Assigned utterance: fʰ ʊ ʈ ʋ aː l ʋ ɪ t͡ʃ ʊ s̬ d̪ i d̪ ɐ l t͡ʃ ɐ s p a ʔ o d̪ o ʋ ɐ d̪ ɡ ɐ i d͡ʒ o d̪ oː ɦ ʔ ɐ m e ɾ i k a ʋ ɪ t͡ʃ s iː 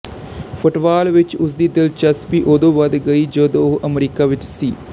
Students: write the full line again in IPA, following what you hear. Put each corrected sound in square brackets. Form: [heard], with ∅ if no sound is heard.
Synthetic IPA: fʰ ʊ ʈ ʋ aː l ʋ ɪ t͡ʃ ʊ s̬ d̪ i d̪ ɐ l t͡ʃ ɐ s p [i] ʔ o d̪ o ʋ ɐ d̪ ɡ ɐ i d͡ʒ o d̪ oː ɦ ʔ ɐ m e ɾ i k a ʋ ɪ t͡ʃ s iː